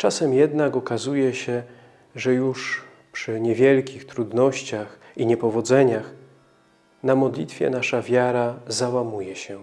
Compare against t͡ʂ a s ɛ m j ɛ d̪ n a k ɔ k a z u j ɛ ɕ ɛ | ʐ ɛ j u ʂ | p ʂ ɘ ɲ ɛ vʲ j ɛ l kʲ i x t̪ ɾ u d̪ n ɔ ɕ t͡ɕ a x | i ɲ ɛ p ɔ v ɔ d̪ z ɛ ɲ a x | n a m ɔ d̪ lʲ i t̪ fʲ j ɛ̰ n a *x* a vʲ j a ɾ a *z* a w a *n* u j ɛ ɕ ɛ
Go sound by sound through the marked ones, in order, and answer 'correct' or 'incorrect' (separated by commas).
incorrect, correct, incorrect